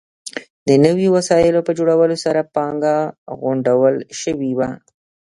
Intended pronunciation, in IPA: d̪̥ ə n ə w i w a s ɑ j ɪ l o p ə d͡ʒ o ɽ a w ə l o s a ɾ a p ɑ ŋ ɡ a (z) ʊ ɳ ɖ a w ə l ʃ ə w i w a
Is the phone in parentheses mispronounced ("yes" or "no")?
yes